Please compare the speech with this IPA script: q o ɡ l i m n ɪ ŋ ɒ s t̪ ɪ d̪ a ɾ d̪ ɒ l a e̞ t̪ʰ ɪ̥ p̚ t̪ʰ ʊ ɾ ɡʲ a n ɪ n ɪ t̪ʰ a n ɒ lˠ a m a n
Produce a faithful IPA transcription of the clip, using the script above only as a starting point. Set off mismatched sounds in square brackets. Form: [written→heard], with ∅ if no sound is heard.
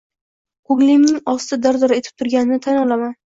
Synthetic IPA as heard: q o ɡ l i m n ɪ ŋ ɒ s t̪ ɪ d̪ a ɾ d̪ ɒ [l→ɾ] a e̞ t̪ʰ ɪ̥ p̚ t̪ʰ ʊ ɾ ɡʲ a n ɪ n ɪ t̪ʰ a n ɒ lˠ a m a n